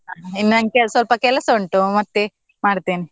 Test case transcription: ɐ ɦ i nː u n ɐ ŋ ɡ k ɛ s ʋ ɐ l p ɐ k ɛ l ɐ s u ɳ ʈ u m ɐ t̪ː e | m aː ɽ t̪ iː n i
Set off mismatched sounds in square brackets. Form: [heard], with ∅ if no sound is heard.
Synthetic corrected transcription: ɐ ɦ i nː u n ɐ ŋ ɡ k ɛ s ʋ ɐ l p ɐ k ɛ l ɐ s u ɳ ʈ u m ɐ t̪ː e | m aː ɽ t̪ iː n i